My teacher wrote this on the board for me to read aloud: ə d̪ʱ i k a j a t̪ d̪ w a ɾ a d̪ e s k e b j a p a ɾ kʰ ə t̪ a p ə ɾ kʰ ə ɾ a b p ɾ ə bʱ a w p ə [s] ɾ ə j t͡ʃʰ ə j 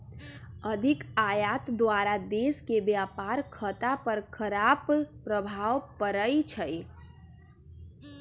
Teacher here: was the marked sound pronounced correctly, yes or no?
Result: no